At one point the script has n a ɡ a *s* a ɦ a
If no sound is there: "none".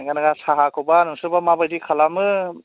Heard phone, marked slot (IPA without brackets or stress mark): s